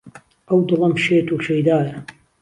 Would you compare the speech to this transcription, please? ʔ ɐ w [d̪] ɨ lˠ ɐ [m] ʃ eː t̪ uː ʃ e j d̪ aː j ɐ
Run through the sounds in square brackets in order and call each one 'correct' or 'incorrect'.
correct, correct

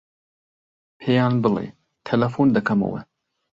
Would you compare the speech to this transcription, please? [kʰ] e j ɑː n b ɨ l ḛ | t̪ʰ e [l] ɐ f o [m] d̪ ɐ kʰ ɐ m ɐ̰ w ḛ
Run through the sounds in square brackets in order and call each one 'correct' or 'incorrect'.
incorrect: pʰ, correct, incorrect: n

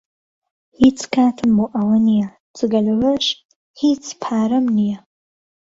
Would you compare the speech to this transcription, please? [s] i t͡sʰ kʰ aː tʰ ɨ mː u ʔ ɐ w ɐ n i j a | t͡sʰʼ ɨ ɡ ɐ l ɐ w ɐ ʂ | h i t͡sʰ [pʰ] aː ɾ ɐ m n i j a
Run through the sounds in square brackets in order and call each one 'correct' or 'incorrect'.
incorrect: h, correct

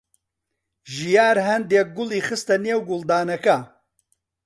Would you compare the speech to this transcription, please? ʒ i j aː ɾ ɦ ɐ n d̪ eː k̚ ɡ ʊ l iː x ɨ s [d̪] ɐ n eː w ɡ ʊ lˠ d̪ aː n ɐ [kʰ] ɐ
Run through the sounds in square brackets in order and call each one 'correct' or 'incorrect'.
incorrect: t̪, incorrect: k

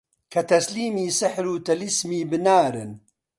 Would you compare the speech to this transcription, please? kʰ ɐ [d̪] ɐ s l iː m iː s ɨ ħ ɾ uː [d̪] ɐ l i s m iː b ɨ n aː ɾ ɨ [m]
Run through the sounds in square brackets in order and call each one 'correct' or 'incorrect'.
incorrect: t̪, incorrect: t̪, incorrect: n

